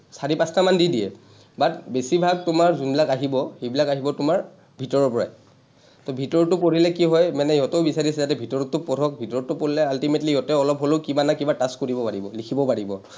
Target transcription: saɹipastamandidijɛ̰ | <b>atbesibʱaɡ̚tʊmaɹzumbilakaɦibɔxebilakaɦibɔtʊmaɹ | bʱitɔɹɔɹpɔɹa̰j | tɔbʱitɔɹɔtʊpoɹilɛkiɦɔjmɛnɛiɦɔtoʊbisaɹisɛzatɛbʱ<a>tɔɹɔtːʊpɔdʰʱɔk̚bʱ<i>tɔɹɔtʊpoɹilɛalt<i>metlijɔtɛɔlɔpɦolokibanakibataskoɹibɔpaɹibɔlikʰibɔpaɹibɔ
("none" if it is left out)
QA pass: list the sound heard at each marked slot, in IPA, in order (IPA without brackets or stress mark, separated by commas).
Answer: b, i, i, i